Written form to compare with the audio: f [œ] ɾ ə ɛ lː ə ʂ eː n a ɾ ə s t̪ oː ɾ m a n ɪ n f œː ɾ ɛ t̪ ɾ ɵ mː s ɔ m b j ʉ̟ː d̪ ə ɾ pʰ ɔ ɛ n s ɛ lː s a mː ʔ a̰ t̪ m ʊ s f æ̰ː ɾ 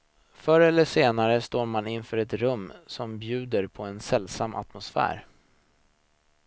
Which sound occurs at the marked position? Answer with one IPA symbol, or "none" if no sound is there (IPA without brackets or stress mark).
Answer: œ